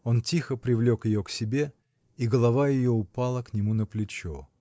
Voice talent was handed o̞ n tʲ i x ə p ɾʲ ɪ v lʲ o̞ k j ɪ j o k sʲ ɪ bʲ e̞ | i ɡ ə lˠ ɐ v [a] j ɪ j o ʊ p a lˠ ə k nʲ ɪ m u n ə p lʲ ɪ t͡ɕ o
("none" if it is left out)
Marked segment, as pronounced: a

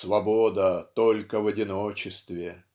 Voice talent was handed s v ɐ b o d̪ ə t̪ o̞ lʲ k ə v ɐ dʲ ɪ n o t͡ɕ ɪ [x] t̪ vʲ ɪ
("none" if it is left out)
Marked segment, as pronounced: s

